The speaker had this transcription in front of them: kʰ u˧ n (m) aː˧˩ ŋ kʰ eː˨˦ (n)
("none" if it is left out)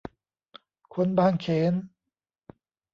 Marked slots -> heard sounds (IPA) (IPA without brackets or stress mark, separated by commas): b, n